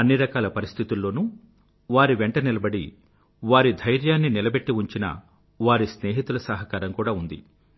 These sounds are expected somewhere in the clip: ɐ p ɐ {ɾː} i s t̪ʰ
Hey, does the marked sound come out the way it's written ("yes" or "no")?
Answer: no